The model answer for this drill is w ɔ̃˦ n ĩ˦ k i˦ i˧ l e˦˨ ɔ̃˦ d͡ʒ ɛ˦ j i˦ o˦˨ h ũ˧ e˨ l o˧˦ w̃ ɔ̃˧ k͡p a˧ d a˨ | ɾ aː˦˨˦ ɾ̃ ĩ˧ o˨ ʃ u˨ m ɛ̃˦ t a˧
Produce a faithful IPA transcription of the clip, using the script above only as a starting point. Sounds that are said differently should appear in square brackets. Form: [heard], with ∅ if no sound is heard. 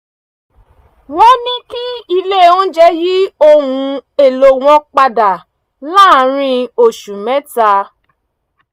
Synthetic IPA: w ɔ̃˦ n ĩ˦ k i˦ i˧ l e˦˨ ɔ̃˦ d͡ʒ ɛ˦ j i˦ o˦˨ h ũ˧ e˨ l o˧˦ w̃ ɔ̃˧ k͡p a˧ d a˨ | [l] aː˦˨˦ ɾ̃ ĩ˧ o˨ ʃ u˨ m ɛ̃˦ t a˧